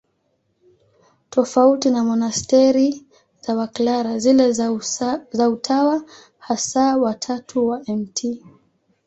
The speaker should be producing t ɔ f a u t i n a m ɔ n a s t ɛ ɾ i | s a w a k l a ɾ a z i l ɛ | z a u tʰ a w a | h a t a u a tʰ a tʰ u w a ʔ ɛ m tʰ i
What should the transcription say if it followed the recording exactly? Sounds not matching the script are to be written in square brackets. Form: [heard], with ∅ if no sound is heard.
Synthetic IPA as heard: t ɔ f a u t i n a m ɔ n a s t ɛ ɾ i | [z] a w a k l a ɾ a z i l ɛ | z a u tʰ a w a | h a [s] a [w] a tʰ a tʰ u w a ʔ ɛ m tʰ i